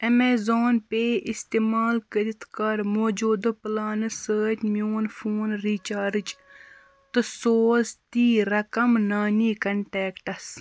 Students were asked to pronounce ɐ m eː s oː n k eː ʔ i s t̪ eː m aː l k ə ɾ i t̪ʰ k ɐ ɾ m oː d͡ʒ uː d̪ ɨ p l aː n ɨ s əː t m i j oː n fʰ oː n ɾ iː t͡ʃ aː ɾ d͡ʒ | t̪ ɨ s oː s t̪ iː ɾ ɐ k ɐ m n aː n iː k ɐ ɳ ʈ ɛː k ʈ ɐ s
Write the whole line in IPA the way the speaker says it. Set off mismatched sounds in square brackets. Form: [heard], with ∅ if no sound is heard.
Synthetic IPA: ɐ m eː [z] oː n [p] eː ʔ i s t̪ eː m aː l k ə ɾ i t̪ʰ k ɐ ɾ m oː d͡ʒ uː d̪ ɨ p l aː n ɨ s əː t m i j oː n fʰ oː n ɾ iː t͡ʃ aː ɾ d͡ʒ | t̪ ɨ s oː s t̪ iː ɾ ɐ k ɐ m n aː n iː k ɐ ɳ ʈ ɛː k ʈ ɐ s